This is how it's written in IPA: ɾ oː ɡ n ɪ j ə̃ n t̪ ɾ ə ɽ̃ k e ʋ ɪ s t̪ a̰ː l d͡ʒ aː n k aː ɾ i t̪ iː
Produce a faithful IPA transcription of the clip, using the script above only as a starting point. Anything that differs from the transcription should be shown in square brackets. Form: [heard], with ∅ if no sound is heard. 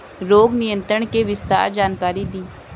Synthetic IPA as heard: ɾ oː ɡ n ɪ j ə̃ n t̪ ɾ ə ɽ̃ k e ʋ ɪ s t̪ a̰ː [ɾ] d͡ʒ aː n k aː ɾ i [d̪] iː